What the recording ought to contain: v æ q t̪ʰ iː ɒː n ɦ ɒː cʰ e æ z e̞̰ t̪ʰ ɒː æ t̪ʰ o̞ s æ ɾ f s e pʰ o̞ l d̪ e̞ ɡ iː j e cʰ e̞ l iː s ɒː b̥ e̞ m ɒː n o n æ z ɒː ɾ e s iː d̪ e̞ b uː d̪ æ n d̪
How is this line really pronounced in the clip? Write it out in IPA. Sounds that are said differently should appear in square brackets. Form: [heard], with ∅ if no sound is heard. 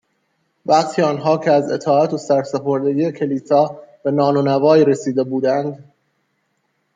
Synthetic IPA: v æ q t̪ʰ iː ɒː n ɦ ɒː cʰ e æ z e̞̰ t̪ʰ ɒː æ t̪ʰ o̞ s æ ɾ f s e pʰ o̞ [ɾ] d̪ e̞ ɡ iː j e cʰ e̞ l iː s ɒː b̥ e̞ [n] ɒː n o n æ [v] ɒː ɾ e s iː d̪ e̞ b uː d̪ æ n d̪